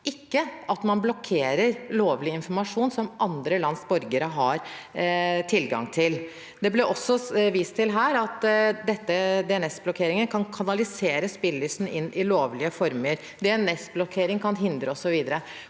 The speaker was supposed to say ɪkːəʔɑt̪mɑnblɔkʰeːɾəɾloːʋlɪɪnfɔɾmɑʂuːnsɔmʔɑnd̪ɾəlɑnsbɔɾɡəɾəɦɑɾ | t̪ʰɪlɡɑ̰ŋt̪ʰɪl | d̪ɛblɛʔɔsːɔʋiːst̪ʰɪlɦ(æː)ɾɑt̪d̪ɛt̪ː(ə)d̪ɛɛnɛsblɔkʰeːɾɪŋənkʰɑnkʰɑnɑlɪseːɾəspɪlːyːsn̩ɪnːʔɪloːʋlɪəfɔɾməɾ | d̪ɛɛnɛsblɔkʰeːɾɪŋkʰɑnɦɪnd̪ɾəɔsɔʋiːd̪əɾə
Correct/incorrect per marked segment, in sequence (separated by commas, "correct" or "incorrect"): correct, correct